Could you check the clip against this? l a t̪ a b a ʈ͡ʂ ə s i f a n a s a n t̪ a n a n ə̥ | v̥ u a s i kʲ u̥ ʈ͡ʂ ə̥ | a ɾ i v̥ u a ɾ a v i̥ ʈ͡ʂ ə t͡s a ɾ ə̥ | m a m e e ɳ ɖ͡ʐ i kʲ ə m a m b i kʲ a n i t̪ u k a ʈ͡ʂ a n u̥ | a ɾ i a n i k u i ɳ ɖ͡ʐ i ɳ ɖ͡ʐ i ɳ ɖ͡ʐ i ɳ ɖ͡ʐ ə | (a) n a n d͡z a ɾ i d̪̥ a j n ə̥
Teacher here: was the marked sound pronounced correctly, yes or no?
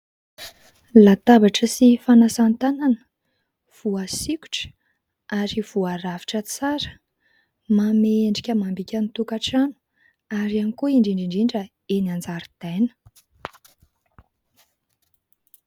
no